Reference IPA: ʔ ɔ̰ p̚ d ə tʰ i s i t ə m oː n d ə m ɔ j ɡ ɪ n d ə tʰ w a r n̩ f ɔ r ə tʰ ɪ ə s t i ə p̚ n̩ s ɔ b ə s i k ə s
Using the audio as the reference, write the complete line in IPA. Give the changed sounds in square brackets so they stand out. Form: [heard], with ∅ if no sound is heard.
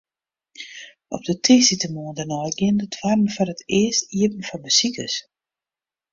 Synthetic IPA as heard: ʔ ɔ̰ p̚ d ə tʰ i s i t ə m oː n d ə [n] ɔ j ɡ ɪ n d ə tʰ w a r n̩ f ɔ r ə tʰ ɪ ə s t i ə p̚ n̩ [f] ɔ b ə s i k ə s